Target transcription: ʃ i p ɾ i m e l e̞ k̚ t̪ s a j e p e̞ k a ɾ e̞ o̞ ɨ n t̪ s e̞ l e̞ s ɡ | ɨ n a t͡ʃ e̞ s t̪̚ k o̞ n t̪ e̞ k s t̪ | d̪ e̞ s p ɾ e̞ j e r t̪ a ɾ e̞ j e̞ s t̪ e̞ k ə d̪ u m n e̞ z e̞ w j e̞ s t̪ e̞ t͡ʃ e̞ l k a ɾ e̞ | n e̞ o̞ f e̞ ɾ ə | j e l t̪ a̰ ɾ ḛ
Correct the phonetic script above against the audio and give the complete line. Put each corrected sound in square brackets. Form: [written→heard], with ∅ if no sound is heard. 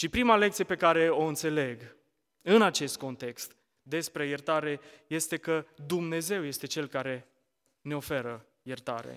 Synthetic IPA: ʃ i p ɾ i m [e→a] l e̞ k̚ t̪ s [a→i] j e p e̞ k a ɾ e̞ o̞ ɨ n t̪ s e̞ l e̞ [s→∅] ɡ | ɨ n a t͡ʃ e̞ s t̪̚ k o̞ n t̪ e̞ k s t̪ | d̪ e̞ s p ɾ e̞ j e r t̪ a ɾ e̞ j e̞ s t̪ e̞ k ə d̪ u m n e̞ z e̞ w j e̞ s t̪ e̞ t͡ʃ e̞ l k a ɾ e̞ | n e̞ o̞ f e̞ ɾ ə | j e [l→r] t̪ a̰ ɾ ḛ